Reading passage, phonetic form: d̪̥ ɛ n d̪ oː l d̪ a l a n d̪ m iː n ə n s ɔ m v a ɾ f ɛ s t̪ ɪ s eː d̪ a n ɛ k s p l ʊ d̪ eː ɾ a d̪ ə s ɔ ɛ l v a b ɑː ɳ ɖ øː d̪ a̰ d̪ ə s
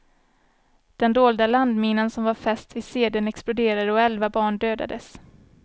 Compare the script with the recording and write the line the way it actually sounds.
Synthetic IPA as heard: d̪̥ ɛ n d̪ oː l d̪ a l a n d̪ m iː n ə n s ɔ m v a ɾ f ɛ s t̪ ɪ s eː d̪ ə n ɛ k s p l ʊ d̪ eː ɾ a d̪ ə ɔ ɛ l v a b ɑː ɳ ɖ øː d̪ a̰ d̪ ə s

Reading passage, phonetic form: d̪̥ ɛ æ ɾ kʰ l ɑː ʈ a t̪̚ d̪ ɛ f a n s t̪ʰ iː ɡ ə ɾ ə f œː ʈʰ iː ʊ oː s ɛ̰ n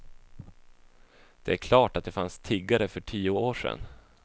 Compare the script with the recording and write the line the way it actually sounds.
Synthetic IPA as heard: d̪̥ ɛ æ ɾ kʰ l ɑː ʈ a t̪̚ d̪ ɛ f a n s t̪ʰ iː ɡ a ɾ ə f œ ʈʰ iː ʊ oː ʂ ɛ̰ n

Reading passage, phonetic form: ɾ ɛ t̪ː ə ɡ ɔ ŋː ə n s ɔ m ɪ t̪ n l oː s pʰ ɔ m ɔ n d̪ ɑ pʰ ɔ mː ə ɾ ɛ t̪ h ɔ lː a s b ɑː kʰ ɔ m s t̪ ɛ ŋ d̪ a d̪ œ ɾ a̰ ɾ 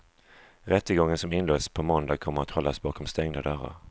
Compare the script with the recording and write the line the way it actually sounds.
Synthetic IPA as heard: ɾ ɛ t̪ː ə ɡ ɔ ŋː ə n s ɔ m ɪ n l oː s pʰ ɔ m ɔ n d̪ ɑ kʰ ɔ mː ə ɾ a t̪ h ɔ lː a s b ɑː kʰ ɔ m s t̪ ɛ ŋ d̪ a d̪ œ ɾ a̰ ɾ

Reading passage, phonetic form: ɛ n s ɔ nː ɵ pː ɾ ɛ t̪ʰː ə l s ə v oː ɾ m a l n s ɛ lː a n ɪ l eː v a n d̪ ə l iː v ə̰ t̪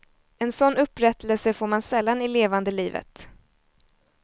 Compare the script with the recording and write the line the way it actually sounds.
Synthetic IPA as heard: ɛ n s ɔ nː ɵ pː ɾ ɛ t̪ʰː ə l s ə f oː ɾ m a n s ɛ lː a n ɪ l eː v a n d̪ ə l iː v ə̰ t̪

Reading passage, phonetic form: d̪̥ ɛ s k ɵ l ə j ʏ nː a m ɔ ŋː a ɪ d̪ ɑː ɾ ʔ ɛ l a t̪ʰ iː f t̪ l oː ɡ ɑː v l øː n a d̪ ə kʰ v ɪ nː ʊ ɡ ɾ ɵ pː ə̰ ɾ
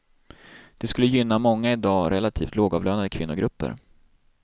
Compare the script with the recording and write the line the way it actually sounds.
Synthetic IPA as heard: d̪̥ ɛ s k ɵ lː ə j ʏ nː a m ɔ ŋː a ɪ d̪ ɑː ɾ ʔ ɛ l a t̪ʰ iː f t̪ l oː ɡ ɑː v l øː n a d̪ ə kʰ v ɪ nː ʊ ɡ ɾ ɵ pː ə̰ ɾ

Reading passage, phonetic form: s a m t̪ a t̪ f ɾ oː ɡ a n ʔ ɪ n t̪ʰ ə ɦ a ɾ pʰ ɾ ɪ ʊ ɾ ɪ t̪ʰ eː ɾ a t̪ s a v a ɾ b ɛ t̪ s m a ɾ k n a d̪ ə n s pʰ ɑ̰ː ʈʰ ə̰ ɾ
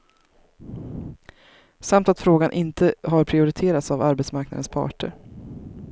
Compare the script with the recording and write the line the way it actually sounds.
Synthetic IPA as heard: s a m t̪ a t̪ f ɾ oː ɡ a n ʔ ɪ n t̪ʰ ə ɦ a ɾ pʰ ɾ ɪ ʊ ɾ ɪ t̪ʰ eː ɾ a t̪ s a v a ɾ b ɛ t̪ s m a ɾ k n a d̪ ə n s pʰ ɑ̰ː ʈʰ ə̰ ɾ

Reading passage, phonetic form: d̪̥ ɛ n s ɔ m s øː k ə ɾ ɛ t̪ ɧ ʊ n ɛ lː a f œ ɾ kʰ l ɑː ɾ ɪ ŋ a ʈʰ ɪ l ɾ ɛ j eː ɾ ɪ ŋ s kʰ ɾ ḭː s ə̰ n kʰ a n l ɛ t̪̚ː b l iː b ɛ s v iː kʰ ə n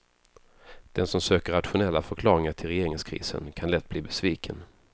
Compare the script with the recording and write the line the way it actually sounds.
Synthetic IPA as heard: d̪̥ ɛ n s ɔ m s øː k ə ɾ a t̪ ɧ ʊ n ɛ lː a f œ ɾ kʰ l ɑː ɾ ɪ ŋ a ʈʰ ɪ l ɾ ɛ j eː ɾ ɪ ŋ s kʰ ɾ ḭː s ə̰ n kʰ a n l ɛ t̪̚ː b l iː b ɛ s v iː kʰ ə n

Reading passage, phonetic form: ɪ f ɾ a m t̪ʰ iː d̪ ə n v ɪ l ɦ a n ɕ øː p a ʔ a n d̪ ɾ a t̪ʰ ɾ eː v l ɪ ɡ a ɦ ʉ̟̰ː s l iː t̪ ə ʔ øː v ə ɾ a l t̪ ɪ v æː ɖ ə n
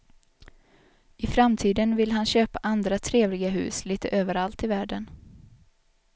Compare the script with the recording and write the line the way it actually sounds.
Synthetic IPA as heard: ɪ f ɾ a m t̪ʰ iː d̪ ə n v ɪ l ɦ a n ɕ øː p a ʔ a n d̪ ɾ a t̪ʰ ɾ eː v l ɪ ɡ a ɦ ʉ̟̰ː s l iː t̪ ə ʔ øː v ə ɾ a l t̪ ɪ v æː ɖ ə n

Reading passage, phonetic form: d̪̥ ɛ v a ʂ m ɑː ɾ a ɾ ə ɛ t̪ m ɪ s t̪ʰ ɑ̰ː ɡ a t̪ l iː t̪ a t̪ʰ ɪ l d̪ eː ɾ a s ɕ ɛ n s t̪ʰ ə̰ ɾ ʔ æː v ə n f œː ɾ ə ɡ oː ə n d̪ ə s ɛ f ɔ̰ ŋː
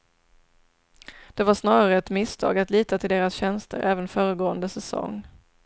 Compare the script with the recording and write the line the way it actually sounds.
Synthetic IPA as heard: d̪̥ ɛ v a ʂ n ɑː ɾ a ɾ ə ɛ t̪ m ɪ s t̪ʰ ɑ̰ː ɡ a t̪ l iː t̪ a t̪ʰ ɪ l d̪ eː ɾ a s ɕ ɛ n s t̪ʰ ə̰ ɾ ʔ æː v ə n f œː ɾ ə ɡ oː ə n d̪ ə s ɛ s ɔ̰ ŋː

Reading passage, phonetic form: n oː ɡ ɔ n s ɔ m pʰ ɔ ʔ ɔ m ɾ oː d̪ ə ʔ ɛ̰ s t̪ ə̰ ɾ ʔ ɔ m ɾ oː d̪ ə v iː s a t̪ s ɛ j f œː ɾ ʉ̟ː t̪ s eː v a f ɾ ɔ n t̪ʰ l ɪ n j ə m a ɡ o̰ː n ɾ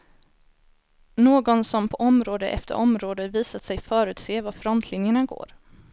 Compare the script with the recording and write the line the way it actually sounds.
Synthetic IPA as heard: n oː ɡ ɔ n s ɔ m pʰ ɔ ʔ ɔ m ɾ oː d̪ ə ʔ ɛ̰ f t̪ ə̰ ɾ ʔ ɔ m ɾ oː d̪ ə v iː s a t̪ s ɛ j f œː ɾ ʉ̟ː t̪ s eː v a f ɾ ɔ n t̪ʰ l ɪ n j ə ɳ a ɡ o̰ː ɾ

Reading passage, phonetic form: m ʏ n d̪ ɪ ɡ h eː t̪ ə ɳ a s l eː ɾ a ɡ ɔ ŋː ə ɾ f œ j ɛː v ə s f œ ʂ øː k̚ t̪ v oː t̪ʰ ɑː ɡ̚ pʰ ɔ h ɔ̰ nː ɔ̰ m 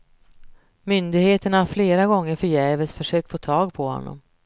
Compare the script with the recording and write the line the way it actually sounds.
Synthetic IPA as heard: m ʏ n d̪ ɪ ɡ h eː t̪ ə ɳ a f l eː ɾ a ɡ ɔ ŋː ə ɾ f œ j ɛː v ə s f œ ʂ øː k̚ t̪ f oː t̪ʰ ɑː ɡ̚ pʰ ɔ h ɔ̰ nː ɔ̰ m

